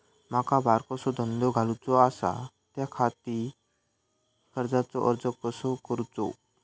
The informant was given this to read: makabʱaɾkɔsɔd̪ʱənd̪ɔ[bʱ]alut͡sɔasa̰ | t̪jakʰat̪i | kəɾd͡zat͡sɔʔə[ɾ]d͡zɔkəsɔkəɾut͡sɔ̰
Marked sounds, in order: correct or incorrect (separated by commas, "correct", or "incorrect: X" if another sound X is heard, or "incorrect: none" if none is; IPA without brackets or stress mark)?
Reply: incorrect: ɡʱ, correct